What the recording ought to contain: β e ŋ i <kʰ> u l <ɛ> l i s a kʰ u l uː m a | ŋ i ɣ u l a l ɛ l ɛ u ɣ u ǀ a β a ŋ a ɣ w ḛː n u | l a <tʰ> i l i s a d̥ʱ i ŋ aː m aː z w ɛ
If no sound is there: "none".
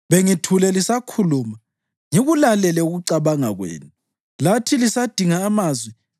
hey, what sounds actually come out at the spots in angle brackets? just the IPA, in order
tʰ, ɛ, tʰ

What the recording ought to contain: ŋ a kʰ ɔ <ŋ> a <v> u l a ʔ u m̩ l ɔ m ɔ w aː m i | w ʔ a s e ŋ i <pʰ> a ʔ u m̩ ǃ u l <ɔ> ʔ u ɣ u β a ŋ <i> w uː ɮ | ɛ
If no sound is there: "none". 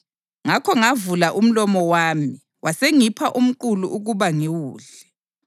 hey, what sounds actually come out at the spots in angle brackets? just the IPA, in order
ŋ, v, pʰ, u, i

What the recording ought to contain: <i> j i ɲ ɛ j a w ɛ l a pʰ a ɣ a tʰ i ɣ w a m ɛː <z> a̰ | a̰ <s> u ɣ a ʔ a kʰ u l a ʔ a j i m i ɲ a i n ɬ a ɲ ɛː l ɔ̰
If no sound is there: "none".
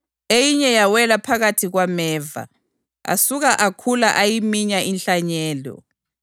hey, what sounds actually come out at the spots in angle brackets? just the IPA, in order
e, v, s

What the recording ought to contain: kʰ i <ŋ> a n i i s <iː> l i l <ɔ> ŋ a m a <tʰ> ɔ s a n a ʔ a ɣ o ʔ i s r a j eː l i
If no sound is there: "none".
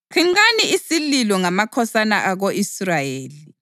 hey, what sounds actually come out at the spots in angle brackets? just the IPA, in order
ŋ, i, ɔ, kʰ

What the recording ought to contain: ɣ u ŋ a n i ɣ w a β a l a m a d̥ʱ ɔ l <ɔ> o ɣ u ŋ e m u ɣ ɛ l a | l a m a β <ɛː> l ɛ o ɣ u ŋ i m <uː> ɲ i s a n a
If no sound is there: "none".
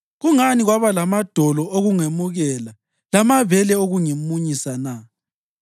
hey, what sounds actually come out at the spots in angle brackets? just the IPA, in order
ɔ, ɛ, u

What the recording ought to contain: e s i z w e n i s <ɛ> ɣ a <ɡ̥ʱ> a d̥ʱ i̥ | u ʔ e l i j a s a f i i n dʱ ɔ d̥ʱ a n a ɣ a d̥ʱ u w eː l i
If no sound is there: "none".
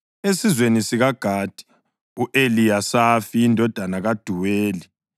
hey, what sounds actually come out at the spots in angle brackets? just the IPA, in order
i, ɡ̥ʱ

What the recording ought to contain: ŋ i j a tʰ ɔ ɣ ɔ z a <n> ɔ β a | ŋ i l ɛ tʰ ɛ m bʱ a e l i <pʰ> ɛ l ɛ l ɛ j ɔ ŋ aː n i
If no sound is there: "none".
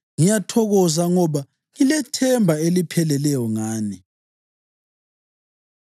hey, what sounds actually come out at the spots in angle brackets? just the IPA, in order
ŋ, pʰ

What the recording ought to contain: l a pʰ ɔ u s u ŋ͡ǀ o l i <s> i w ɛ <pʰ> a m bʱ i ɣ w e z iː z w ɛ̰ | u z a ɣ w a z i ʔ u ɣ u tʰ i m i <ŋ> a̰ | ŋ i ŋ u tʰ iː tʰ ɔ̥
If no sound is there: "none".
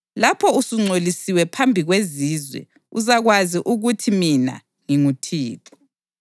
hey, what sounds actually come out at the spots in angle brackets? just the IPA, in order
s, pʰ, n

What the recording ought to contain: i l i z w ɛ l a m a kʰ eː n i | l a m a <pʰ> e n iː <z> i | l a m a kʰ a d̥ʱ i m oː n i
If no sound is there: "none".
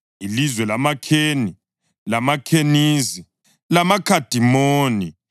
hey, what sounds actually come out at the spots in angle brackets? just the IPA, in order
kʰ, z

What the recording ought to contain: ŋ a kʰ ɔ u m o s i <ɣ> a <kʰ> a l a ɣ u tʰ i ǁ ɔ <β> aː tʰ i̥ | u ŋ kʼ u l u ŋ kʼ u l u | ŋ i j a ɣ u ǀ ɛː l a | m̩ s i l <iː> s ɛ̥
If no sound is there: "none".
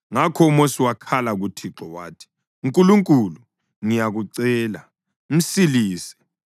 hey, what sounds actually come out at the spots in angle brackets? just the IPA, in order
w, kʰ, w, iː

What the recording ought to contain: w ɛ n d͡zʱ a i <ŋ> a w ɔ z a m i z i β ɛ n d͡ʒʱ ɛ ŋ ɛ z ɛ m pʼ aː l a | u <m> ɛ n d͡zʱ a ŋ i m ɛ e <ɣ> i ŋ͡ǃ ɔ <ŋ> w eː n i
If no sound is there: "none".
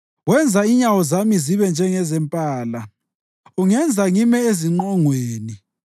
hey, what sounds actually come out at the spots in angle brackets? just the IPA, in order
ɲ, ŋ, z, ŋ

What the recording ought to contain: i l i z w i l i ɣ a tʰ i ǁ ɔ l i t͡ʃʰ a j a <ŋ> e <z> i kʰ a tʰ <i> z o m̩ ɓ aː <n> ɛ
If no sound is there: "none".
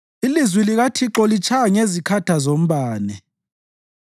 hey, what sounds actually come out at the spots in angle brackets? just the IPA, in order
ŋ, z, a, n

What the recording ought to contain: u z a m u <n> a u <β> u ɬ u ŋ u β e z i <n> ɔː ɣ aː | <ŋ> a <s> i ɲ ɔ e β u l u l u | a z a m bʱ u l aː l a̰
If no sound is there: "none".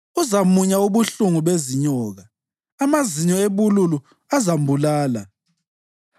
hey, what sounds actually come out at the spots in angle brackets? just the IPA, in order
ɲ, β, ɲ, m, z

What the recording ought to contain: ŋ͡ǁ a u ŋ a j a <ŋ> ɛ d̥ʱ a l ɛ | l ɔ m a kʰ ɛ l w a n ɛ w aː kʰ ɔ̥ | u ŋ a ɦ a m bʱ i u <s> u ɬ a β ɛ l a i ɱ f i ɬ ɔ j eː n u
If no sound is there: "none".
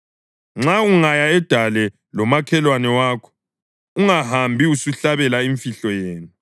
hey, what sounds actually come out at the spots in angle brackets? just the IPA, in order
none, s

